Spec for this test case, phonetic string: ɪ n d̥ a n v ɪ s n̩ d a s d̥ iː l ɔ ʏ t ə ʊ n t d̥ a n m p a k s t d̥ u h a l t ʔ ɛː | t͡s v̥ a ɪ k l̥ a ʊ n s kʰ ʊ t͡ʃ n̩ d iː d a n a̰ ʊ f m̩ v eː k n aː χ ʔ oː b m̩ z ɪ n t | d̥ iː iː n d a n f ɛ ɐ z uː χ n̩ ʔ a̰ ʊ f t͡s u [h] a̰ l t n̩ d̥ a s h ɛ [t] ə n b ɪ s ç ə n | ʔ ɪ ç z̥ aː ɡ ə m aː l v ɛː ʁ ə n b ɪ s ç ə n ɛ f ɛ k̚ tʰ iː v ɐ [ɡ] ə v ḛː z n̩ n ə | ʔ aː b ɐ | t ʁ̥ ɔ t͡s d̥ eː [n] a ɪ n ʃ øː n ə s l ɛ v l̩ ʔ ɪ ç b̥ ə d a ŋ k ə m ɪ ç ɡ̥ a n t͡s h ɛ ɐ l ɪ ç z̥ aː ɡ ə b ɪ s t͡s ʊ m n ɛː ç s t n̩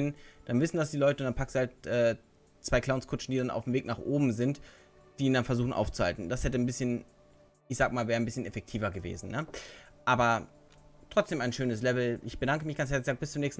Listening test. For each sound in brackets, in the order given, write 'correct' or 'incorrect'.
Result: correct, correct, correct, incorrect

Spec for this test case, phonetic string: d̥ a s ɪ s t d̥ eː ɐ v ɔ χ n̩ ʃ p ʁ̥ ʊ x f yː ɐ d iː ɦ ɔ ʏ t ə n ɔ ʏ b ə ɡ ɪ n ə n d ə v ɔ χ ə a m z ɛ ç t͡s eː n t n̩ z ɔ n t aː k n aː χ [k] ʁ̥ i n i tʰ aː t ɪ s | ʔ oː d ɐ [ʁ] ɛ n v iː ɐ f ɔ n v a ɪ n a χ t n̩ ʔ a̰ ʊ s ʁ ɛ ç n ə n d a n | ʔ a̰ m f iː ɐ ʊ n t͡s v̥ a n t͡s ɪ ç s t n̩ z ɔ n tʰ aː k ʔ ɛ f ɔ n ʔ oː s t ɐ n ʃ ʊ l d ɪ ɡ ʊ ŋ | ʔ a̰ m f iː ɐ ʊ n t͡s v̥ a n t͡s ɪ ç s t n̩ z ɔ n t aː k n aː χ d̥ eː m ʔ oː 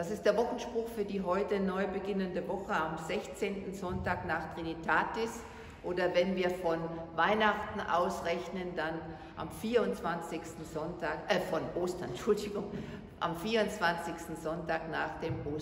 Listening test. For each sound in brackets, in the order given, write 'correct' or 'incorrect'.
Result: incorrect, incorrect

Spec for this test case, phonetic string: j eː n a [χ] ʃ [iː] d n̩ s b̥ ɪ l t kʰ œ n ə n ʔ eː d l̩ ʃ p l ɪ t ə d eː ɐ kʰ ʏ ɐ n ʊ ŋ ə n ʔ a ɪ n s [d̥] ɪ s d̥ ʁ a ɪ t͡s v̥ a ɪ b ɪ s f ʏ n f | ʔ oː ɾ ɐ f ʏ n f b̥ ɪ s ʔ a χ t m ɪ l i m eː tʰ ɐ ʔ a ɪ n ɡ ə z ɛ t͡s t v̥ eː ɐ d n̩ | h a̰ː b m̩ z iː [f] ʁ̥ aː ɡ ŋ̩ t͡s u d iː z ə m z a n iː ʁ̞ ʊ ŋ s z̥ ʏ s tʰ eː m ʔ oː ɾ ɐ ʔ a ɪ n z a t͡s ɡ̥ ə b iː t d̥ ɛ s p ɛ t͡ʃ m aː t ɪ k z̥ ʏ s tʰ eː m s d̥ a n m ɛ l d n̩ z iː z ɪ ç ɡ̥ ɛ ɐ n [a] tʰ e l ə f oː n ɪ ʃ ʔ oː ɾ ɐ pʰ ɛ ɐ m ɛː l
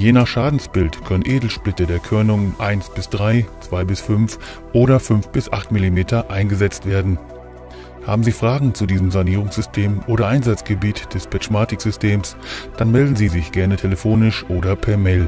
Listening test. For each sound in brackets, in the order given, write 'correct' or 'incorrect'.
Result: correct, incorrect, incorrect, correct, incorrect

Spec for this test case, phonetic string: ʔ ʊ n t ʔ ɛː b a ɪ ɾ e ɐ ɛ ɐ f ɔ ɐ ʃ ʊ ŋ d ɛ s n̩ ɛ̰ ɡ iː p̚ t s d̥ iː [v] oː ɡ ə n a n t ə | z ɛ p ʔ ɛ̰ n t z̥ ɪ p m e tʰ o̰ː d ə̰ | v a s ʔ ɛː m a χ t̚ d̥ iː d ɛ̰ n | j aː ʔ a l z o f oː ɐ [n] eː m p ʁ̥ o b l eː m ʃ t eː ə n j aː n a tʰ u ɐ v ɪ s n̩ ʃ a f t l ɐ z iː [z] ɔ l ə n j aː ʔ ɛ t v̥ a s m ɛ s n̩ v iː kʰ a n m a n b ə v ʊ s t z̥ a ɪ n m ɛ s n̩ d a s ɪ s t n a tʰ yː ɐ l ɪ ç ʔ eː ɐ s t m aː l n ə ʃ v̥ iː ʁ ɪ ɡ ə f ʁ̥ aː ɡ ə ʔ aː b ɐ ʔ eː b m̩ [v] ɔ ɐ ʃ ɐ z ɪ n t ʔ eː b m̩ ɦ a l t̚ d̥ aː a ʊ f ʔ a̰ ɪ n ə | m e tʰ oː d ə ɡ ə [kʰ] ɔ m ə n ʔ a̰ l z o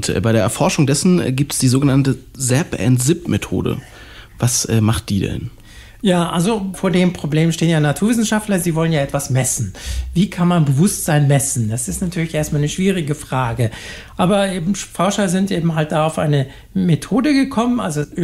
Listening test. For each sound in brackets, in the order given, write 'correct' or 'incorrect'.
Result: incorrect, incorrect, incorrect, incorrect, correct

